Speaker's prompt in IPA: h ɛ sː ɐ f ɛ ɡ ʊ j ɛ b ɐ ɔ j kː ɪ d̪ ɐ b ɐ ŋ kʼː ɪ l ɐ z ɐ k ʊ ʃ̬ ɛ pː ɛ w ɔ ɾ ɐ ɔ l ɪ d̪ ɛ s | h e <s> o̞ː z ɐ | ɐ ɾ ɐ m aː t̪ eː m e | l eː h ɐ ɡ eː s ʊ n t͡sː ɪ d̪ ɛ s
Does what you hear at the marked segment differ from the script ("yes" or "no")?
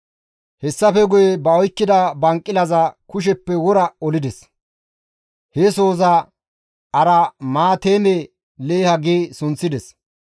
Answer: no